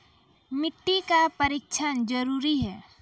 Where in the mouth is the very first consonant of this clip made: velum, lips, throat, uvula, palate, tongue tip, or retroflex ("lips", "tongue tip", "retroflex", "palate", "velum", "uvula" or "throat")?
lips